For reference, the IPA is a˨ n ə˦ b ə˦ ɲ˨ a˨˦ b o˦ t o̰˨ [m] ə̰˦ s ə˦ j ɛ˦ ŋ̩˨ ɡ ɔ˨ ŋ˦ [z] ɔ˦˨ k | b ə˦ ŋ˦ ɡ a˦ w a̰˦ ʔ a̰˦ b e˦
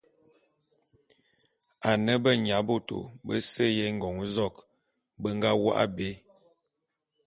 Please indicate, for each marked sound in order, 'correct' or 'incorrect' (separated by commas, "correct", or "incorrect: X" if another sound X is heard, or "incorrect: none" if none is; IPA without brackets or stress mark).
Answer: incorrect: b, correct